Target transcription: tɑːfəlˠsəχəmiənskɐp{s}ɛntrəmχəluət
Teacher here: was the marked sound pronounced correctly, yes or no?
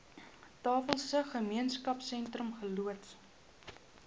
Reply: yes